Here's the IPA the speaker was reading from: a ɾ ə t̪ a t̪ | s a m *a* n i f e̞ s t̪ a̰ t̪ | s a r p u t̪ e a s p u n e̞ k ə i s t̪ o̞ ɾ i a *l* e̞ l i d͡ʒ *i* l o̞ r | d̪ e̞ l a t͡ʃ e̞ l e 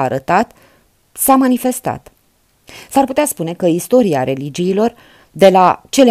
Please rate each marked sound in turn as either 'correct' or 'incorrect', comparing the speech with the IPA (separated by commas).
correct, incorrect, incorrect